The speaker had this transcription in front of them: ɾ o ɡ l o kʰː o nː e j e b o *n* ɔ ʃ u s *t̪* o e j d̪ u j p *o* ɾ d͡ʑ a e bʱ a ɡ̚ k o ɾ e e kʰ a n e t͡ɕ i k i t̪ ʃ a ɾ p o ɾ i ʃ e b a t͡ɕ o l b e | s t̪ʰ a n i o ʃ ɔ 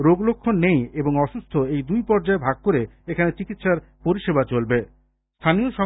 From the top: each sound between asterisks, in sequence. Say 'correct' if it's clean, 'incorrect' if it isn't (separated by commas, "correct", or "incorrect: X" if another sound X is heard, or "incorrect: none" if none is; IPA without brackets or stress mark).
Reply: incorrect: ŋ, incorrect: t̪ʰ, incorrect: ɔ